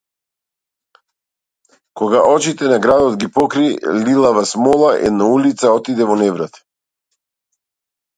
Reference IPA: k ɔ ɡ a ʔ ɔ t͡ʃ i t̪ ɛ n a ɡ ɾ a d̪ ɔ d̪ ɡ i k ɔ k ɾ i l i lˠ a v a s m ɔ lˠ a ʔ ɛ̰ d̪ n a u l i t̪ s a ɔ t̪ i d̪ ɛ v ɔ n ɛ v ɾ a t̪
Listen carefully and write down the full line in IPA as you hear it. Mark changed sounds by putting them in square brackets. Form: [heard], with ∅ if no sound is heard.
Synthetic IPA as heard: k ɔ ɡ a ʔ ɔ t͡ʃ i t̪ ɛ n a ɡ ɾ a d̪ ɔ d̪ ɡ i [p] ɔ k ɾ i l i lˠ a v a s m ɔ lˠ a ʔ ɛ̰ d̪ n a u l i t̪ s a ɔ t̪ i d̪ ɛ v ɔ n ɛ v ɾ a t̪